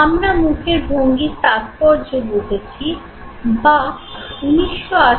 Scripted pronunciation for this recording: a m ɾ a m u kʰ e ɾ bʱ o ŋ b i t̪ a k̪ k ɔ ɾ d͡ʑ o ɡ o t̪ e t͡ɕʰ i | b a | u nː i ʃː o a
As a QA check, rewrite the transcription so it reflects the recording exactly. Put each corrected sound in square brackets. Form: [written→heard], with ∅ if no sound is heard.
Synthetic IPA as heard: a m ɾ a m u kʰ e ɾ bʱ o ŋ [b→ɡ] i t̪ a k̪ [k→p] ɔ ɾ d͡ʑ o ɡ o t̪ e t͡ɕʰ i | b a | u [nː→n] i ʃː o a